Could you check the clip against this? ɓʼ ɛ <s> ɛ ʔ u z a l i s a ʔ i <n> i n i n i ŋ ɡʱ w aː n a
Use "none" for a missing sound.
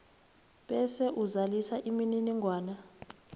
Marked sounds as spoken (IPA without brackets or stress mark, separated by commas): s, m